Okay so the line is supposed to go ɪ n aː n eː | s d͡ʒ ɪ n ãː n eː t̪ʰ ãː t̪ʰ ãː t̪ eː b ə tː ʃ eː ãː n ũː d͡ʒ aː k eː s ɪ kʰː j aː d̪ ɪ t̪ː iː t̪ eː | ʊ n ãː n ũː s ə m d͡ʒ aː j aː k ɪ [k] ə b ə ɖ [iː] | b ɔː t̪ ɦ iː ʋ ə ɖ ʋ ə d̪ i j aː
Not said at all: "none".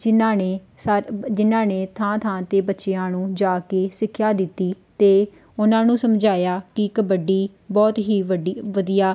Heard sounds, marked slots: k, iː

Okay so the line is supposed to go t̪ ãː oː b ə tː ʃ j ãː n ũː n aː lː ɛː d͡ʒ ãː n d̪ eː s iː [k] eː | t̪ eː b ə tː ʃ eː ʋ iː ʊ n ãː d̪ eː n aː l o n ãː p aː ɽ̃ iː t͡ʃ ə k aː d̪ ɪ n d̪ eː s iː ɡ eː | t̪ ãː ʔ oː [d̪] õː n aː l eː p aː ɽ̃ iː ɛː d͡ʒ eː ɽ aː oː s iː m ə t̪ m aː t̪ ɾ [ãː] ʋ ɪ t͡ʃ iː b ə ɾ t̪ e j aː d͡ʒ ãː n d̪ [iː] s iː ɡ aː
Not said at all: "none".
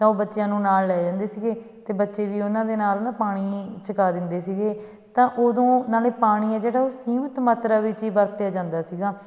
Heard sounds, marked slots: ɡ, d̪, aː, aː

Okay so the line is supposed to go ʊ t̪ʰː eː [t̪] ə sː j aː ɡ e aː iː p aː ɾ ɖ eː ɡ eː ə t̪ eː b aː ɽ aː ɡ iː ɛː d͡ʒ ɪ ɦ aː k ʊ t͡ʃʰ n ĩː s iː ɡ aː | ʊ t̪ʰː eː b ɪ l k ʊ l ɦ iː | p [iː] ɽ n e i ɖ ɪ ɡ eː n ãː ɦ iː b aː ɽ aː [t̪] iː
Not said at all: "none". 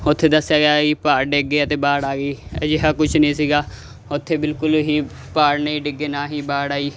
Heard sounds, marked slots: d̪, aː, none

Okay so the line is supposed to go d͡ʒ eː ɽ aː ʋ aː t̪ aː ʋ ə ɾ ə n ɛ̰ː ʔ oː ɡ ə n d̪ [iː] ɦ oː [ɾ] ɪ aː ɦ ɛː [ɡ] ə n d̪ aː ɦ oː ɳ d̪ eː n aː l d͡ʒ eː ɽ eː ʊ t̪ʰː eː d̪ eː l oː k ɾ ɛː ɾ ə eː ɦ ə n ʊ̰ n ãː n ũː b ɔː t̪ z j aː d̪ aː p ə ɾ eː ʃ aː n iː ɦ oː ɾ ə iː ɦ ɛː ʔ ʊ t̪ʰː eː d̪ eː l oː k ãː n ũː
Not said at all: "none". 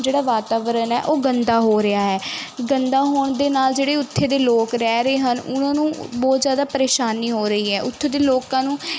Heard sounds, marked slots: aː, ɾ, ɡ

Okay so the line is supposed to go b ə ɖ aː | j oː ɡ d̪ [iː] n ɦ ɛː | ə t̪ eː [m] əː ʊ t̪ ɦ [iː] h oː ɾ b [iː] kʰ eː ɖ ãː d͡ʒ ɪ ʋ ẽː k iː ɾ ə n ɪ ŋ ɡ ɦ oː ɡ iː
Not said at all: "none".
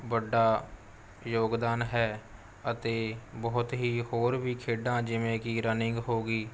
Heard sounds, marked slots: aː, b, iː, iː

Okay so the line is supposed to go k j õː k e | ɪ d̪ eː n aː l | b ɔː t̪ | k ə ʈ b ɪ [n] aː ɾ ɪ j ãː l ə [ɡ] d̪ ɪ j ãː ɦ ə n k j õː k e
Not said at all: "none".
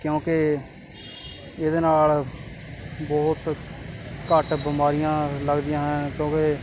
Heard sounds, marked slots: m, ɡ

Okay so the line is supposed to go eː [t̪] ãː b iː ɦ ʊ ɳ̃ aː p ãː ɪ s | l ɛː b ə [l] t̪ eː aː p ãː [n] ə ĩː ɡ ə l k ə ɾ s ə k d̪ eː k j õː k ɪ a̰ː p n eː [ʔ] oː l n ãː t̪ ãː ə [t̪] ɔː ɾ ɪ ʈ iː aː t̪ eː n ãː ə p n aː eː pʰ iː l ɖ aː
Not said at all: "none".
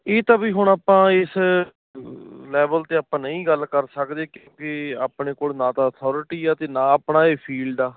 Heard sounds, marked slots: t̪, l, n, k, t̪ʰ

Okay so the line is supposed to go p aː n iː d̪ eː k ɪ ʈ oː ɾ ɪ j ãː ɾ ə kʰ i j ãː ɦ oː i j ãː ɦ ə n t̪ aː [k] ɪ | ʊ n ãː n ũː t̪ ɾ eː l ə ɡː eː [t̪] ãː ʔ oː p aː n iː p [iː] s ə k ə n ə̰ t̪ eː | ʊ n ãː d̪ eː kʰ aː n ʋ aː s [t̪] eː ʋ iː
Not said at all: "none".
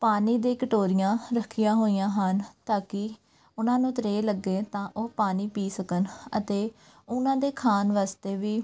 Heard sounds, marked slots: k, t̪, iː, t̪

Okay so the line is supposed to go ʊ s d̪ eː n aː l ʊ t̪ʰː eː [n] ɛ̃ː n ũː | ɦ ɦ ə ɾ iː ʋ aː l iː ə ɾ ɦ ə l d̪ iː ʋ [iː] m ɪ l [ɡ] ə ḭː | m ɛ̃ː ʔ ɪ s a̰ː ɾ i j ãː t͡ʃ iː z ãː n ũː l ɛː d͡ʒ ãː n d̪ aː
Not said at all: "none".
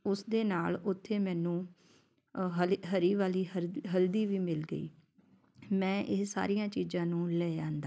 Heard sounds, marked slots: m, iː, ɡ

